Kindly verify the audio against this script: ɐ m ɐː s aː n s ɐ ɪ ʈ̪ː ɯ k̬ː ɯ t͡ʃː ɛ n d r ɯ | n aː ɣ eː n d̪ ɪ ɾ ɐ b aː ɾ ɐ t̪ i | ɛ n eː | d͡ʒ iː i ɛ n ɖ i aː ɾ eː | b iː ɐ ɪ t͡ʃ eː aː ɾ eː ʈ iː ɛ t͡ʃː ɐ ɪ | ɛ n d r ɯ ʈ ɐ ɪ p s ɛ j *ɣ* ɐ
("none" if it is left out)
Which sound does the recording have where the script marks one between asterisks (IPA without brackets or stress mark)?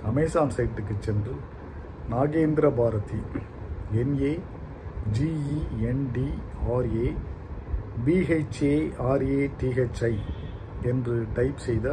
ð